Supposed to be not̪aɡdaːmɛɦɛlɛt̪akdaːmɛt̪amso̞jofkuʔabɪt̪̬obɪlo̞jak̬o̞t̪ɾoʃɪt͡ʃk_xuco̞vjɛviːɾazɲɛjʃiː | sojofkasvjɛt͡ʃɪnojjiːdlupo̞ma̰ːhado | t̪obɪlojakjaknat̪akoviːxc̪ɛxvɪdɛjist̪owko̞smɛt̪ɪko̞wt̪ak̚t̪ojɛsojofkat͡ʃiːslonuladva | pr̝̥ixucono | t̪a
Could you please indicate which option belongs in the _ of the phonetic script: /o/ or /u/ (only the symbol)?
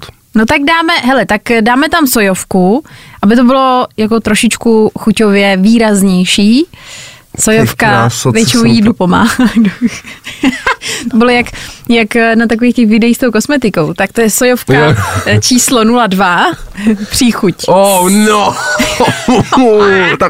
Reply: u